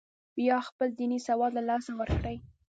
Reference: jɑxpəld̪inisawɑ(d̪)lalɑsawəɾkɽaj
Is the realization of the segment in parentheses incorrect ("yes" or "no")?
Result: no